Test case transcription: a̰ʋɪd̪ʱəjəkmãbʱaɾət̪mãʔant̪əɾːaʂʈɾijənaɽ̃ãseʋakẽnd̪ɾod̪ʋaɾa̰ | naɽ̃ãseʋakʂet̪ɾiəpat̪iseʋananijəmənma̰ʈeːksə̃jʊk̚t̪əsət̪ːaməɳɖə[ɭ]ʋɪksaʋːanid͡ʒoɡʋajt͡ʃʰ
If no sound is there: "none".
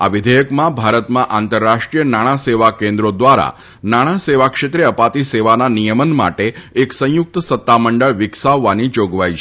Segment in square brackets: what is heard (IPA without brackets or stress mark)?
ɭ